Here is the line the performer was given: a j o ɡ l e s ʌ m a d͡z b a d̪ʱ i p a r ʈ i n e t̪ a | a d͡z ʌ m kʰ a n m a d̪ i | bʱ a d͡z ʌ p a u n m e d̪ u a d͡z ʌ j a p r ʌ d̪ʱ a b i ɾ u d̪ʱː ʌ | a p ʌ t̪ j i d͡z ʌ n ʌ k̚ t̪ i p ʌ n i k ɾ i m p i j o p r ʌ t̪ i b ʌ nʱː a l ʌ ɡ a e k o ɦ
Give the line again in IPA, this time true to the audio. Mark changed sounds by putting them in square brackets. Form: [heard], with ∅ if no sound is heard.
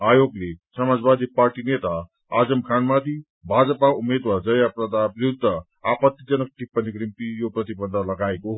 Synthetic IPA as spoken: a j o ɡ l e s ʌ m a d͡z b a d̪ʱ i p a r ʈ i n e t̪ a | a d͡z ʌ m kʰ a n m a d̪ i | bʱ a d͡z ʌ p a u [∅] m e d̪ [w] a d͡z ʌ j a p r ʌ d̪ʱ a b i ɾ u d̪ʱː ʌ | a p ʌ t̪ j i d͡z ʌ n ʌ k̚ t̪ i p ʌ n i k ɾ i m p i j o p r ʌ t̪ i b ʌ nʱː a l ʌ ɡ a e k o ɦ